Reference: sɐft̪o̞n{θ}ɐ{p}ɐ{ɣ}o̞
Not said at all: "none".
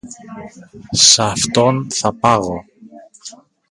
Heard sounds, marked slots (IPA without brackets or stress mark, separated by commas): θ, p, ɣ